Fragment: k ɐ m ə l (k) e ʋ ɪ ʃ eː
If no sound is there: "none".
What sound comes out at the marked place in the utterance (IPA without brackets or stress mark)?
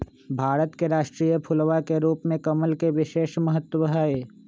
k